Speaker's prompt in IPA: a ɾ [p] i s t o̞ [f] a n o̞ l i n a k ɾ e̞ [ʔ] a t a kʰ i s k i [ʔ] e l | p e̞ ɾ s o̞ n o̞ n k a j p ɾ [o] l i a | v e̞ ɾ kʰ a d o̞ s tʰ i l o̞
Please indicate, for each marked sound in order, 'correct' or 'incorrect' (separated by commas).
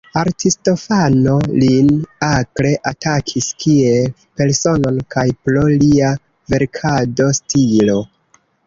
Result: incorrect, correct, correct, incorrect, correct